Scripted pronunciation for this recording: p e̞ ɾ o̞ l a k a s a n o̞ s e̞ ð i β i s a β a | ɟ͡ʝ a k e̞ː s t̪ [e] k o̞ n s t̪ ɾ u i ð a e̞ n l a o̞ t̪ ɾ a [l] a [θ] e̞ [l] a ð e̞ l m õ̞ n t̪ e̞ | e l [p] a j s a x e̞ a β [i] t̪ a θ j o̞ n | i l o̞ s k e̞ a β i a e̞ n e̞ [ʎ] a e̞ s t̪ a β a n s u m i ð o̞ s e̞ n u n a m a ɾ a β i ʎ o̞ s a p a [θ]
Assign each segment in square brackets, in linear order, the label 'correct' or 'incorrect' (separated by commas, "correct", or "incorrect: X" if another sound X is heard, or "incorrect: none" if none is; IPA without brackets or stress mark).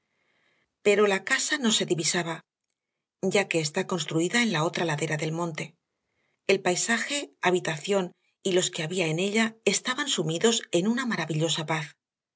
incorrect: a, correct, incorrect: ð, incorrect: ɾ, correct, correct, correct, correct